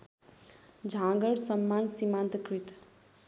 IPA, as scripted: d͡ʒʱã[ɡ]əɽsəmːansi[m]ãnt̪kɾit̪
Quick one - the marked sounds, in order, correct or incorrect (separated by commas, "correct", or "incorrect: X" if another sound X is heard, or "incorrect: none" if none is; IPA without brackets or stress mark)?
correct, correct